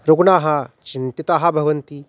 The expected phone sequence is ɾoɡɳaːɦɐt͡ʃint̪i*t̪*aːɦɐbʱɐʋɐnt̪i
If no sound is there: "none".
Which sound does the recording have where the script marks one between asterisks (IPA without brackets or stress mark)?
t̪